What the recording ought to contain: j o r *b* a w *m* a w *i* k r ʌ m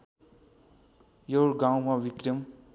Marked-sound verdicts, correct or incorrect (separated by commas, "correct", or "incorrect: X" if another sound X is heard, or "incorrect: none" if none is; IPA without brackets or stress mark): incorrect: ɡ, correct, correct